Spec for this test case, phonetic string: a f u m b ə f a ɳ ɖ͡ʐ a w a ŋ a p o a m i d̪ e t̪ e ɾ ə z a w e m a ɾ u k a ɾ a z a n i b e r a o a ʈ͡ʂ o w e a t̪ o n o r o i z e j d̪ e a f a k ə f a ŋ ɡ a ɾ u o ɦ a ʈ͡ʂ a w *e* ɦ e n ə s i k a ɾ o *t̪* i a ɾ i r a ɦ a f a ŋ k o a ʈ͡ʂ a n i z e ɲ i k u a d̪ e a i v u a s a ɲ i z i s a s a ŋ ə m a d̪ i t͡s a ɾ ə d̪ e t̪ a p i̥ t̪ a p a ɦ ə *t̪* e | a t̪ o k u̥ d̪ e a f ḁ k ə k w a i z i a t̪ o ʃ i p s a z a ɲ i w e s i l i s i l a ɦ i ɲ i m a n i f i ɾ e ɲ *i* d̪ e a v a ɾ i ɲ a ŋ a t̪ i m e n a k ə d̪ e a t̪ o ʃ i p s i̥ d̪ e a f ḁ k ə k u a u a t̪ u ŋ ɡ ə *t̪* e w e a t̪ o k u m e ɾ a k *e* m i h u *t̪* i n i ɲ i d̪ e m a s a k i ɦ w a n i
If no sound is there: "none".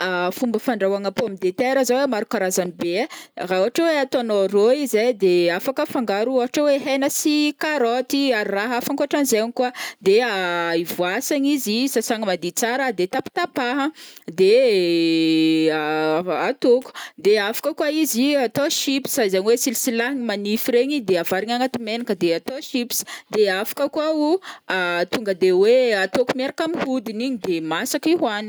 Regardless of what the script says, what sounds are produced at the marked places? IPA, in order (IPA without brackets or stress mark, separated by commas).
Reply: e, t̪, d̪, i, d̪, a, d̪